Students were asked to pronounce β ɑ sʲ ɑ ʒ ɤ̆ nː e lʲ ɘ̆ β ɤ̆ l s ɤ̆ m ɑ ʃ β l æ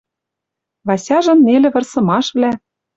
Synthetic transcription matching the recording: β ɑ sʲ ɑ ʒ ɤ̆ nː e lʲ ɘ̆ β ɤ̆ r s ɤ̆ m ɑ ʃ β l æ